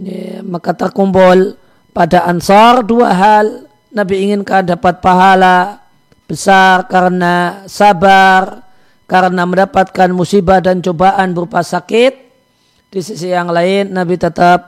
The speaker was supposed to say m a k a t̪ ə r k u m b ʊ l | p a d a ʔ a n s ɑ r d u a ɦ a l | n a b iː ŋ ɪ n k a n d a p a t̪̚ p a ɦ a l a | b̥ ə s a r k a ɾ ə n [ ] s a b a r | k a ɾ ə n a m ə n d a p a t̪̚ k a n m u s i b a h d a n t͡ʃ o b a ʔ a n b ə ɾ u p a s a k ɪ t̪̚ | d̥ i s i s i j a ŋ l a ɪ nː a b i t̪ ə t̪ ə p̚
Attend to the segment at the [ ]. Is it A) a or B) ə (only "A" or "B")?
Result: A